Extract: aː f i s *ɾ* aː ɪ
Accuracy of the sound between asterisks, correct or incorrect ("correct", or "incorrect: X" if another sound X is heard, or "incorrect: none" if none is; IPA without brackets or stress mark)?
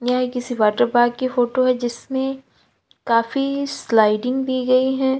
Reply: incorrect: l